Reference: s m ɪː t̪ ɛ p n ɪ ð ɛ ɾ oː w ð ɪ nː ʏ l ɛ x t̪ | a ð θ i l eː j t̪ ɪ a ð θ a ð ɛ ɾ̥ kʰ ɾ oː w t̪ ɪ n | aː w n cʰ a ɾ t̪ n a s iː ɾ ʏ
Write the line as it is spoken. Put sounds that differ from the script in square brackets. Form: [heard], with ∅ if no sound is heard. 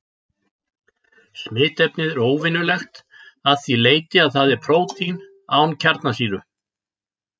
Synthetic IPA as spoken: s m ɪː t̪ ɛ p n ɪ ð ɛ ɾ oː w [v] ɪ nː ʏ l ɛ x t̪ | a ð θ i l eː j t̪ ɪ a ð θ a ð ɛ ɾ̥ [pʰ] ɾ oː w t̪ [i] n | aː w n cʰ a ɾ t̪ n a s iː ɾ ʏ